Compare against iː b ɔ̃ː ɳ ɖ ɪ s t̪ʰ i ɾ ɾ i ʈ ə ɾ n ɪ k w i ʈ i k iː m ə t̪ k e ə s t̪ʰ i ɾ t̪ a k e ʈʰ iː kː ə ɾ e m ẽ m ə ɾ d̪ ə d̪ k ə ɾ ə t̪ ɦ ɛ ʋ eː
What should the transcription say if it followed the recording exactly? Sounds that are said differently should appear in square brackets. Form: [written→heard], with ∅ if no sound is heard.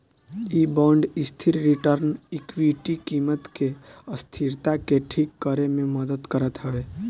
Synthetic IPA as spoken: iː b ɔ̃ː ɳ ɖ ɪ s t̪ʰ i ɾ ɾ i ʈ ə ɾ n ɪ k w i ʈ i k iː m ə t̪ k e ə s t̪ʰ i ɾ t̪ a k e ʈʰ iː kː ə ɾ e m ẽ m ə [ɾ→∅] d̪ ə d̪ k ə ɾ ə t̪ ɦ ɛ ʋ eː